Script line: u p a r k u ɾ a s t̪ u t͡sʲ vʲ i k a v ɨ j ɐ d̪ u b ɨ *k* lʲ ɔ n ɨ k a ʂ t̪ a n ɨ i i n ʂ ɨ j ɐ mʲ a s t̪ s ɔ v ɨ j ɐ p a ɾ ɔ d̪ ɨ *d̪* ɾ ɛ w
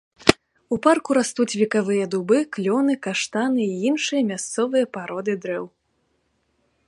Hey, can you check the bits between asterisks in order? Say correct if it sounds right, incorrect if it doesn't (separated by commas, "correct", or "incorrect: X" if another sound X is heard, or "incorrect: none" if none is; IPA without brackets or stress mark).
correct, correct